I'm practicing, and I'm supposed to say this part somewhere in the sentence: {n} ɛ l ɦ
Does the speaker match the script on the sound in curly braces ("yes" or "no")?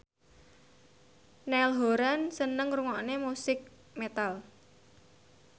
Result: yes